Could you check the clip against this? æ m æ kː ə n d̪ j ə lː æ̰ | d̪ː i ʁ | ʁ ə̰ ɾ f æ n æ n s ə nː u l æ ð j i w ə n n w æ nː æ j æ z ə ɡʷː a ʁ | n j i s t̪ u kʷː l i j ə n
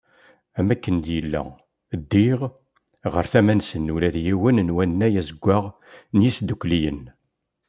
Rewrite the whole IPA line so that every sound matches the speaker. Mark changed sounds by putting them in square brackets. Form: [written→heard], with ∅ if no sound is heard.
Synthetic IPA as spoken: æ m æ kː ə n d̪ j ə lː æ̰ | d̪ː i ʁ | ʁ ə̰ ɾ [f→θ] æ [n→m] æ n s ə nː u l æ ð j i w ə n n w æ nː æ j æ z ə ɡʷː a ʁ | n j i s [t̪→d̪] u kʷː l i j ə n